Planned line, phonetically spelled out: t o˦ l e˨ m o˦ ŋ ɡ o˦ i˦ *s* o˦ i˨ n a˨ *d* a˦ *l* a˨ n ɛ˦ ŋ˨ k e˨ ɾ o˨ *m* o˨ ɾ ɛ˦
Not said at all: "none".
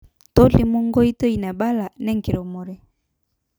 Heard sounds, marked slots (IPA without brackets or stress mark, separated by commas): t, b, l, m